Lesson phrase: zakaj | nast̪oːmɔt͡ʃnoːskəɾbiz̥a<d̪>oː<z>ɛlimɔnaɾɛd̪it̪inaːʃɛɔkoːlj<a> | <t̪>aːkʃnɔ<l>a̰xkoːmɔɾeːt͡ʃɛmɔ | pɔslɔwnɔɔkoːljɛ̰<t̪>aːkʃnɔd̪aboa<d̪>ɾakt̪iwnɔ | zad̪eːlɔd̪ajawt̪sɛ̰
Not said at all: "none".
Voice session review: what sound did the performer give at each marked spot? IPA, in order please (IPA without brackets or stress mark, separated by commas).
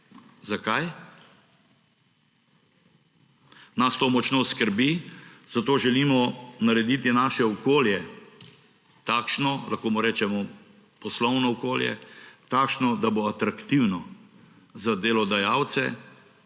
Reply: t̪, ʒ, ɛ, t̪, l, t̪, t̪